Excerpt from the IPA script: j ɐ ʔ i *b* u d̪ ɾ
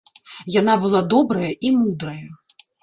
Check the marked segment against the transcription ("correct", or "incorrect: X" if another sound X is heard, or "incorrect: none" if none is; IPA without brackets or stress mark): incorrect: m